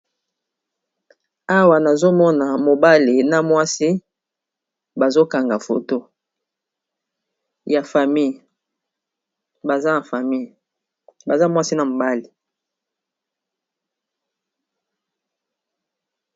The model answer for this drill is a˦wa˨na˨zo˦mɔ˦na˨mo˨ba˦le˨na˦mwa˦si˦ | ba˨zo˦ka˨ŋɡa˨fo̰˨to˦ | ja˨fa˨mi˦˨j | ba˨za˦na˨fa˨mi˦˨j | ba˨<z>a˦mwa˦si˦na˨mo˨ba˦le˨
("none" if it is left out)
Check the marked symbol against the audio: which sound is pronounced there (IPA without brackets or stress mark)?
z